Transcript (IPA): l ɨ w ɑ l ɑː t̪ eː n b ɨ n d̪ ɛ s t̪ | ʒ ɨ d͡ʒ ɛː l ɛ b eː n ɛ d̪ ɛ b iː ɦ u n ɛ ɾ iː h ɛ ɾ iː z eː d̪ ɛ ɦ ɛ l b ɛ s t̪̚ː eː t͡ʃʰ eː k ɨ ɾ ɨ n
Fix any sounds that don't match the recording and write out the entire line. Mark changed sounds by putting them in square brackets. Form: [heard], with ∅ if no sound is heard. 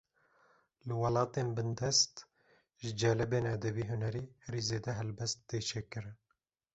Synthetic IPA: l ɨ w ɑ l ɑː t̪ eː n b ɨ n d̪ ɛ s t̪ | ʒ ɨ d͡ʒ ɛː l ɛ b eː n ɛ d̪ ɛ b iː ɦ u n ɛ ɾ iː h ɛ ɾ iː z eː d̪ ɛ ɦ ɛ l b ɛ s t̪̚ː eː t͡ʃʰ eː k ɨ ɾ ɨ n